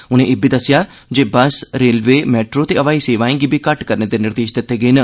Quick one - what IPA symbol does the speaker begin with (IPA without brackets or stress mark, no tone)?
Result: ʊ